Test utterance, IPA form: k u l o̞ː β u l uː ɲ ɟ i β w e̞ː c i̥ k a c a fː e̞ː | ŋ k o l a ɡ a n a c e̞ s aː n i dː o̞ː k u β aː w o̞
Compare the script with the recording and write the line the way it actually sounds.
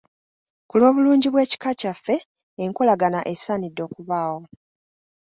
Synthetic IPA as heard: k u l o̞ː β u l uː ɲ ɟ i β w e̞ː c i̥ k a c a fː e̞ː | ŋ k o l a ɡ a n a ʔ e̞ s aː n i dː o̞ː k u β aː w o̞